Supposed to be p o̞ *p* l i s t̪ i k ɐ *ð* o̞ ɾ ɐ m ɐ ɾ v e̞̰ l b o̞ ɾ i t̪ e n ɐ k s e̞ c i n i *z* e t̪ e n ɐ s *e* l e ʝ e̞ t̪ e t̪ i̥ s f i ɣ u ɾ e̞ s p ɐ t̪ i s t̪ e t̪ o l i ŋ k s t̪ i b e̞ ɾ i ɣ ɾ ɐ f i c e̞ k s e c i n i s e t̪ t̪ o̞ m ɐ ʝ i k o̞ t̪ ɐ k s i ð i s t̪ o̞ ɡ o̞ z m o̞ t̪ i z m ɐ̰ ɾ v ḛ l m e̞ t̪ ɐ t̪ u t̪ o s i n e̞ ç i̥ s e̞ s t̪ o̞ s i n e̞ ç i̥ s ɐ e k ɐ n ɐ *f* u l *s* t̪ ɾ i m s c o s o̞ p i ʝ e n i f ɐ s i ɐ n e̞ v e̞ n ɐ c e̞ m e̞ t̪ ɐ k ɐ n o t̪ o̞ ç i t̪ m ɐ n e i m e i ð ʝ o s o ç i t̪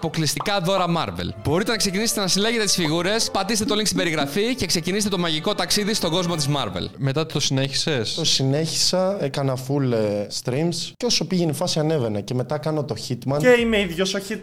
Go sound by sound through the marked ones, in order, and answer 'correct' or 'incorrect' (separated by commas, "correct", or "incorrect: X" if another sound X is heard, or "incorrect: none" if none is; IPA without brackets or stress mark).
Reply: incorrect: k, correct, incorrect: s, incorrect: i, correct, correct